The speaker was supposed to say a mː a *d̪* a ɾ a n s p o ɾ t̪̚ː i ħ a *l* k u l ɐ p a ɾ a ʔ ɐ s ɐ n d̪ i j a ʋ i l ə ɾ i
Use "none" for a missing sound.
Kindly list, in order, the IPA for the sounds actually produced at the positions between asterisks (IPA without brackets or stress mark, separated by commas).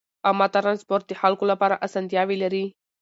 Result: t̪, l